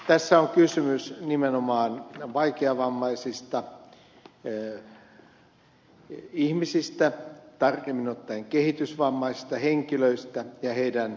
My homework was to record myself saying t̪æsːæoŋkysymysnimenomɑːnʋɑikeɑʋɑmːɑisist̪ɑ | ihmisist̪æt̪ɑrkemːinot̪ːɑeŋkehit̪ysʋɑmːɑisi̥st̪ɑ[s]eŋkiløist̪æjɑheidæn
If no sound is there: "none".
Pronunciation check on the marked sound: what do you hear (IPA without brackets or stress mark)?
h